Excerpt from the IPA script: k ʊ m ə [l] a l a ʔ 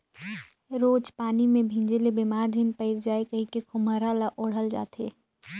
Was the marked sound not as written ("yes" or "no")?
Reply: yes